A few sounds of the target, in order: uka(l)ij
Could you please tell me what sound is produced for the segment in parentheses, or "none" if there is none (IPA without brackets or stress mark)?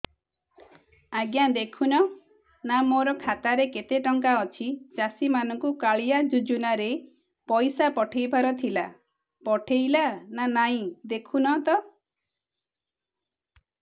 ɭ